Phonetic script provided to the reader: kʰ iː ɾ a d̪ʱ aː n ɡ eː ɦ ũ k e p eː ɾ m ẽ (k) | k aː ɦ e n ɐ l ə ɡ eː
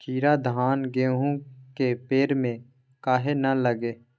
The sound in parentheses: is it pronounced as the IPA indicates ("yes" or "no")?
no